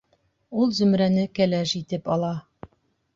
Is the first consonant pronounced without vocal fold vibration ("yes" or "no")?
no